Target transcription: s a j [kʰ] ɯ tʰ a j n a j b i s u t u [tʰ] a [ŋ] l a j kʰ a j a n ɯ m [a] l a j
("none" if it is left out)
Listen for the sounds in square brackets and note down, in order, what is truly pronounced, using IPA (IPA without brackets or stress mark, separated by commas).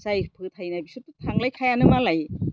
pʰ, tʰ, ŋ, a